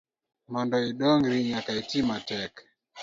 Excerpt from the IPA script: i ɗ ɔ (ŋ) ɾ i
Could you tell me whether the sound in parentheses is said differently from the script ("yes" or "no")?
no